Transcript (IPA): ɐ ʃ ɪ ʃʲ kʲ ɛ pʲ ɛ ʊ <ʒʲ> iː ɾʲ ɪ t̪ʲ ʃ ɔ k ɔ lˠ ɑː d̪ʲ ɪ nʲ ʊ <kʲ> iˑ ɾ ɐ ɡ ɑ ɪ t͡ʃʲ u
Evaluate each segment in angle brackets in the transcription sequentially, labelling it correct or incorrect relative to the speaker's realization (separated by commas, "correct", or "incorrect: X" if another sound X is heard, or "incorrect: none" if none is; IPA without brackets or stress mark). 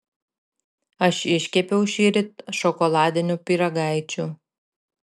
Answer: incorrect: ʃʲ, incorrect: pʲ